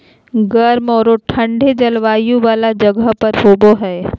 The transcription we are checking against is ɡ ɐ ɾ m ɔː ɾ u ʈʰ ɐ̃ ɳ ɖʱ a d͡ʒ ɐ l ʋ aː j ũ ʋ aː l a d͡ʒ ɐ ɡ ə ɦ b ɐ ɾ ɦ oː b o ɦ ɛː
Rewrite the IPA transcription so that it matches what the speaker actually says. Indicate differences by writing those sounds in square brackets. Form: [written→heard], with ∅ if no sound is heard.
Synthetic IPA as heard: ɡ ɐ ɾ m ɔː ɾ [u→o] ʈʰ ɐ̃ ɳ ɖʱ [a→e] d͡ʒ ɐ l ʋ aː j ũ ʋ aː l a d͡ʒ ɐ ɡ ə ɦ [b→p] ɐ ɾ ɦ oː b o ɦ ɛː